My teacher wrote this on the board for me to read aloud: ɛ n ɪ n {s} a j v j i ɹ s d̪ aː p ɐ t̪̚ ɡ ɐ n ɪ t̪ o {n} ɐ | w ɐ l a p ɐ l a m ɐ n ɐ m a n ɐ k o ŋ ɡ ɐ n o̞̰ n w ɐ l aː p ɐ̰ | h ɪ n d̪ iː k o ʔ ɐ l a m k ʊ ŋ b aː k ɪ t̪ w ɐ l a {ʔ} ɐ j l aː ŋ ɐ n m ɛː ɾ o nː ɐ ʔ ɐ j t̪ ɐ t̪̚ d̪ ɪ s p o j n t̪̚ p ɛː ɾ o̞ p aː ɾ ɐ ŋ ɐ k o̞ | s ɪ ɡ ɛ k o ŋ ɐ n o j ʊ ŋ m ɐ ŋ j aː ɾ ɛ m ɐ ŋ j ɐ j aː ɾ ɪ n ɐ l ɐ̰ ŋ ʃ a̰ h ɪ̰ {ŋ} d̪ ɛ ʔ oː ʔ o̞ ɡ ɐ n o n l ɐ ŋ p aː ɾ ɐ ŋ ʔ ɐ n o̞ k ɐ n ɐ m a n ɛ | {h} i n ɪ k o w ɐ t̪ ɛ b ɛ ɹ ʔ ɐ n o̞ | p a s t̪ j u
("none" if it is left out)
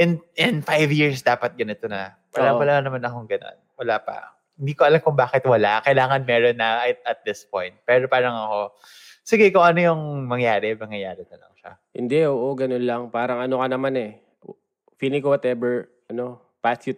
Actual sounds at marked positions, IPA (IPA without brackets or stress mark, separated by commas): f, n, k, n, f